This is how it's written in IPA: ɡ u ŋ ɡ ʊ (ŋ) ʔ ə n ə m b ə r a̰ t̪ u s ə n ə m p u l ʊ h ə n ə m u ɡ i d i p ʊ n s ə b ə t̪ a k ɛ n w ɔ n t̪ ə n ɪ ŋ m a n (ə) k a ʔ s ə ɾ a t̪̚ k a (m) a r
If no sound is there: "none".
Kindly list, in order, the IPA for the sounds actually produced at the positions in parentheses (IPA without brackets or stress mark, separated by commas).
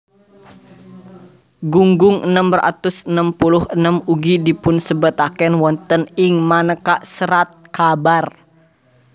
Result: ŋ, ə, b